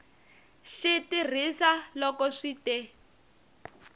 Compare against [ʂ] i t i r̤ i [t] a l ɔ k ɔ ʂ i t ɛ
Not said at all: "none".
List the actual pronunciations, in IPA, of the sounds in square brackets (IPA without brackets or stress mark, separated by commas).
ʃ, s